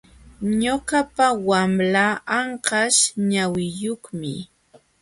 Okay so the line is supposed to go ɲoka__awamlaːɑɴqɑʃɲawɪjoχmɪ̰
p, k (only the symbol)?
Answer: p